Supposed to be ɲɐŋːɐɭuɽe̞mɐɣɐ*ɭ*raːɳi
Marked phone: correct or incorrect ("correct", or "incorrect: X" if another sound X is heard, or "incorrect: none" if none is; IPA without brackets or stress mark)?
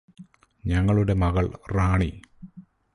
correct